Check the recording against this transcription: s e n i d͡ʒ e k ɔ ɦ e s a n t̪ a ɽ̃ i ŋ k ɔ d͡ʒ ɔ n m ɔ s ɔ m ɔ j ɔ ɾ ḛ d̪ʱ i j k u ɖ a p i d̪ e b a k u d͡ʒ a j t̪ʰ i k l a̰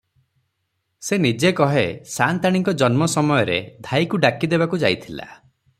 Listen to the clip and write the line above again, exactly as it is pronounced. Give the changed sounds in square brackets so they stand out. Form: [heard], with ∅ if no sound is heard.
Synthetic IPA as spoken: s e n i d͡ʒ e k ɔ ɦ e s a n t̪ a ɽ̃ i ŋ k ɔ d͡ʒ ɔ n m ɔ s ɔ m ɔ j ɔ ɾ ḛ d̪ʱ [a] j k u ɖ a [k] i d̪ e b a k u d͡ʒ a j t̪ʰ i [∅] l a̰